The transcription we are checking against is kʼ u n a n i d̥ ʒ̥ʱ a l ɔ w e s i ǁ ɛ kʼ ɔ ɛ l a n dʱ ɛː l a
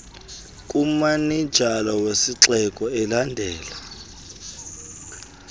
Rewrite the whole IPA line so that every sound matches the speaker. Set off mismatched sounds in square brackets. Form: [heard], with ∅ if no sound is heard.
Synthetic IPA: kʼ u [m] a n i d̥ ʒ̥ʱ a l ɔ w e s i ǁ ɛ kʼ ɔ ɛ l a n dʱ ɛː l a